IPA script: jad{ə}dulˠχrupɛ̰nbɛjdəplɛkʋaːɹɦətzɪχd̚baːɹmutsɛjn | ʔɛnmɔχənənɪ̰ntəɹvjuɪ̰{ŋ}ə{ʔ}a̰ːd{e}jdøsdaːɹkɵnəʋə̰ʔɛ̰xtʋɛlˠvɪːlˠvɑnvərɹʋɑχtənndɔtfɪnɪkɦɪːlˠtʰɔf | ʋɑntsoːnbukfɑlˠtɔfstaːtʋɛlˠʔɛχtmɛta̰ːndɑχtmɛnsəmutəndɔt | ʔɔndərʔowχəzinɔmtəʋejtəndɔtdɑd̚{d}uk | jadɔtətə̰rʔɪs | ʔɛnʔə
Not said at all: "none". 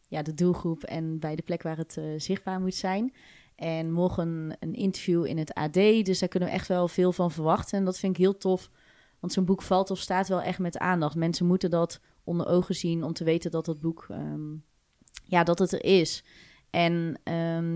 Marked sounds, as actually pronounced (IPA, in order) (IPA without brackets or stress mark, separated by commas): ə, n, t, e, b